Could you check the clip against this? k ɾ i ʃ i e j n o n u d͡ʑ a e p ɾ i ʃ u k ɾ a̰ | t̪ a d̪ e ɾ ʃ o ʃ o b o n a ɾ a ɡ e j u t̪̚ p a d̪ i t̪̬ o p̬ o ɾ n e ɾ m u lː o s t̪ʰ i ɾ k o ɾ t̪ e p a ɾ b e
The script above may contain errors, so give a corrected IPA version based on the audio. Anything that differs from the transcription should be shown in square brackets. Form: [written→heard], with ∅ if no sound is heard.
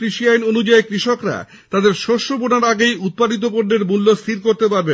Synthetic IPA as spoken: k ɾ i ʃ i [e→a] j n o n u d͡ʑ a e [p→k] ɾ i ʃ [u→o] k ɾ a̰ | t̪ a d̪ e ɾ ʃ o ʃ o b o n a ɾ a ɡ e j u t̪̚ p a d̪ i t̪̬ o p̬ o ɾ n e ɾ m u lː o s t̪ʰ i ɾ k o ɾ t̪ e p a ɾ b e